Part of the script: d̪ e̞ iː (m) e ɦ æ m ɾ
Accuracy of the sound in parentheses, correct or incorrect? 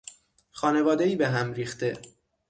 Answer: incorrect: b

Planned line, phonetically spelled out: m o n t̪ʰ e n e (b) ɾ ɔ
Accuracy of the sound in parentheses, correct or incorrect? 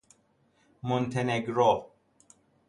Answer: incorrect: ɡ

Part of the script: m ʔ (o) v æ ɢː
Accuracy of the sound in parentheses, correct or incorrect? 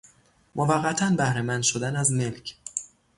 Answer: correct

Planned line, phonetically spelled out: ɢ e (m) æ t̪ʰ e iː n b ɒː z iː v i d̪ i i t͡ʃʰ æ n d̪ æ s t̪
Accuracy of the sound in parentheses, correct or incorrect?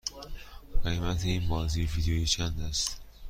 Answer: correct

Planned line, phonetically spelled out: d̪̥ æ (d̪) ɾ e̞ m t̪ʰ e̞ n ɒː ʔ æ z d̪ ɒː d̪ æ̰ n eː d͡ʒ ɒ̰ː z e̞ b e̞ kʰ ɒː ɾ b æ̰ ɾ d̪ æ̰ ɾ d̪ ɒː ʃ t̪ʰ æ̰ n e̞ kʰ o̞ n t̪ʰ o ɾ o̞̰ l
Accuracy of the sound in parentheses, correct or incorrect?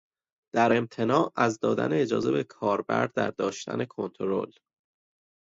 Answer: incorrect: none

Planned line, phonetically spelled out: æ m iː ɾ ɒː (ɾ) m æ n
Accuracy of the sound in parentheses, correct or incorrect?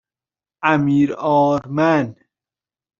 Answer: correct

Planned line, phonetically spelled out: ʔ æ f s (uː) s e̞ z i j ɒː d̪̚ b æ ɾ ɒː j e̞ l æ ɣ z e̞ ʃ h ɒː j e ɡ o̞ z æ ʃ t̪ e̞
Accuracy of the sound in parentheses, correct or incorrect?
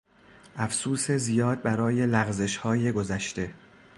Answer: correct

